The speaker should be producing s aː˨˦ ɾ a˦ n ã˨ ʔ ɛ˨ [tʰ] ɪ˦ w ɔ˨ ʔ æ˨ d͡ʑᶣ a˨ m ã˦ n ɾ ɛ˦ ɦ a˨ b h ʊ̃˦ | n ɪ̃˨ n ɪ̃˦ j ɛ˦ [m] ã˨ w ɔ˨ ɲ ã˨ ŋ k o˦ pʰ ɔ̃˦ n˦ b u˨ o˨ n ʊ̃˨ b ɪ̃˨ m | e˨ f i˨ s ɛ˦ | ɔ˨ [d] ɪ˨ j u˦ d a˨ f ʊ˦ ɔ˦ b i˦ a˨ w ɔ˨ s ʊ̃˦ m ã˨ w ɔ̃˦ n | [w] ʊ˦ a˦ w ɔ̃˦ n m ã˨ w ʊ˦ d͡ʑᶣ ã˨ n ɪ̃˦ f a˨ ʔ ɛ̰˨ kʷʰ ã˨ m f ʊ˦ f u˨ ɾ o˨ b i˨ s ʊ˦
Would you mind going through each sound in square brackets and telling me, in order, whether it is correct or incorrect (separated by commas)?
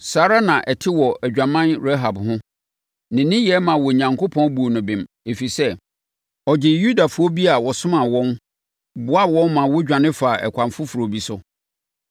correct, correct, incorrect, incorrect